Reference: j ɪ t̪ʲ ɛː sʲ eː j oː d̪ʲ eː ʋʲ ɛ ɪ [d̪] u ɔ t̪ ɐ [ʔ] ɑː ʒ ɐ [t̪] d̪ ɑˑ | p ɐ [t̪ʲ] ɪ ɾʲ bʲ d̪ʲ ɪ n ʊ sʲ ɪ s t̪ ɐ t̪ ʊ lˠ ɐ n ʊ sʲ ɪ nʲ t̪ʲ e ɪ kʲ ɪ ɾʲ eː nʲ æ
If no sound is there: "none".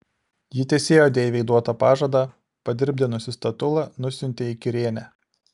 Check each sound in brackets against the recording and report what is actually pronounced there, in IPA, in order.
d̪, p, none, d̪ʲ

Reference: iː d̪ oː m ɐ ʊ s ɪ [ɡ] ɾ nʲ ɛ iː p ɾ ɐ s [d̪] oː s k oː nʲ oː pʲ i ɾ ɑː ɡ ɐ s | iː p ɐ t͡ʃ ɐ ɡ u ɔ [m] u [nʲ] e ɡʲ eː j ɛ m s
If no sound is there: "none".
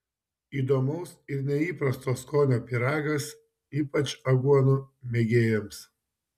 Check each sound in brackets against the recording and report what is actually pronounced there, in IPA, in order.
none, t̪, n, mʲ

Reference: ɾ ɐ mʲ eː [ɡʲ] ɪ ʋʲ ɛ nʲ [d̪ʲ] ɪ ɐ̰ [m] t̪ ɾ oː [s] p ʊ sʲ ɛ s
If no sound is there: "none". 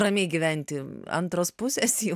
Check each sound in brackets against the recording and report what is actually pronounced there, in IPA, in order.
ɡʲ, t̪ʲ, n, s

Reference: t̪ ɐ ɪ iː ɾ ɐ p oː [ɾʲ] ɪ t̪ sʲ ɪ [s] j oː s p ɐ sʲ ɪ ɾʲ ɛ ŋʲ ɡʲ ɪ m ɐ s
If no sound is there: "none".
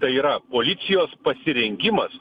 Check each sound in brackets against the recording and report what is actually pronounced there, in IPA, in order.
lʲ, none

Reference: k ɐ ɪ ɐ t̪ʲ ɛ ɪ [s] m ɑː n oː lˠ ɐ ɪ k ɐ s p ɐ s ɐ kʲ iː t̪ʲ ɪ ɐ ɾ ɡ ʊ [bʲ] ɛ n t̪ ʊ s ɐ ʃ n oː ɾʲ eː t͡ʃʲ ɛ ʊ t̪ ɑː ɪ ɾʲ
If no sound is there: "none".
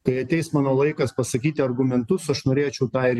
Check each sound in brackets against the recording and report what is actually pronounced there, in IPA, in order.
s, mʲ

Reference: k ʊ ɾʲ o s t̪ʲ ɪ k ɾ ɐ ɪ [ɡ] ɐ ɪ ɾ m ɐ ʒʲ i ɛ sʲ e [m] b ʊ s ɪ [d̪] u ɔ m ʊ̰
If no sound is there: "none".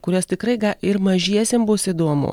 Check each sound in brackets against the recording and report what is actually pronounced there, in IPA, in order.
ɡ, m, d̪

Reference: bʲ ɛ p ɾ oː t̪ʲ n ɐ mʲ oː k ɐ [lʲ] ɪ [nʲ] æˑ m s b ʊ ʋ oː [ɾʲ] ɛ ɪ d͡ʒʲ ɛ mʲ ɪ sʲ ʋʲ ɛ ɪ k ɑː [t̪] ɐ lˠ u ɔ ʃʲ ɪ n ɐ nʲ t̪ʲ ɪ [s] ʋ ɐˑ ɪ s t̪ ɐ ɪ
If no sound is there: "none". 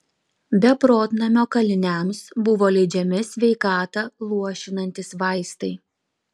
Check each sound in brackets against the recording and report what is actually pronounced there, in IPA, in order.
lʲ, nʲ, lʲ, t̪, s

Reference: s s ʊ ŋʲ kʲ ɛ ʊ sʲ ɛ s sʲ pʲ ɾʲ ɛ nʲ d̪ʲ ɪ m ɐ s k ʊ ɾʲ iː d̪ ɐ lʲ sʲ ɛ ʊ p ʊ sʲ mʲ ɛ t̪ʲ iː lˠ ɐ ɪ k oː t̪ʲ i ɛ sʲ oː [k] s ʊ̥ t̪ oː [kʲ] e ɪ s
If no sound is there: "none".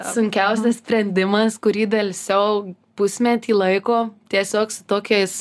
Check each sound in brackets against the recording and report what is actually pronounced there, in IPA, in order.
k, kʲ

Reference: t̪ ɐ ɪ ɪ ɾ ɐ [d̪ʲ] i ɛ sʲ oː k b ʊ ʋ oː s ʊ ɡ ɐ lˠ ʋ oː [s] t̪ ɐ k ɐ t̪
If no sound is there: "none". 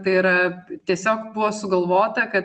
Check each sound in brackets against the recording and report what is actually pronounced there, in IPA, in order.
t̪ʲ, none

